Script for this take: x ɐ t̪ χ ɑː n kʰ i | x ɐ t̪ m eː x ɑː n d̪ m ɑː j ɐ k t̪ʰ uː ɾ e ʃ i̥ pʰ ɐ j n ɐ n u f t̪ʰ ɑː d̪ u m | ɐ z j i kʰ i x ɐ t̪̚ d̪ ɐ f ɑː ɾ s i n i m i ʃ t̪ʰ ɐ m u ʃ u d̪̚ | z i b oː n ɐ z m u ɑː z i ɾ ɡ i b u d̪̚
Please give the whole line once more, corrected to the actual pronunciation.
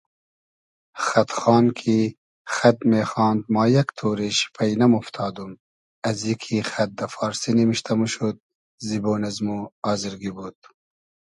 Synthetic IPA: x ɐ t̪ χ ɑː n kʰ i | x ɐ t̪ m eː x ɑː n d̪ m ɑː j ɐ k t̪ʰ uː ɾ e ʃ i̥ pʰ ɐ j n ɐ m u f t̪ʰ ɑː d̪ u m | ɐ z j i kʰ i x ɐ t̪̚ d̪ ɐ f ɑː ɾ s i n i m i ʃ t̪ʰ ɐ m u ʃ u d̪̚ | z i b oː n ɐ z m u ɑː z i ɾ ɡ i b u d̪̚